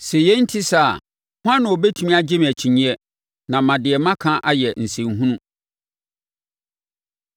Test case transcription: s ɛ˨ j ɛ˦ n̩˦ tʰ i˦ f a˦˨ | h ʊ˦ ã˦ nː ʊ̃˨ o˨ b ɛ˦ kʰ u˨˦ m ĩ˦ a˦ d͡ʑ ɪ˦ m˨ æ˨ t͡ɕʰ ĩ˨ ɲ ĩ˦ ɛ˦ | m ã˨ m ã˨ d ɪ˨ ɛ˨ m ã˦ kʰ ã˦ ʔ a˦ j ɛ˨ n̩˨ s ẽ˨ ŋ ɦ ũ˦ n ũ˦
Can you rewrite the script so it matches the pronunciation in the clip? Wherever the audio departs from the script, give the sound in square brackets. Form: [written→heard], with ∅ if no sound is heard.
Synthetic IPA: s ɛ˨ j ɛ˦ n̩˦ tʰ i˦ [f→s] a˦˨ | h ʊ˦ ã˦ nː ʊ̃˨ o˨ b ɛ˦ [kʰ→tʰ] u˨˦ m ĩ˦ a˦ d͡ʑ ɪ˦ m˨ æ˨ t͡ɕʰ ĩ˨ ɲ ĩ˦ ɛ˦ | [m→n] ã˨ m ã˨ d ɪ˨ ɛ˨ m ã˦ kʰ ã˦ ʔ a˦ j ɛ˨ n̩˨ s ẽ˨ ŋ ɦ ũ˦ n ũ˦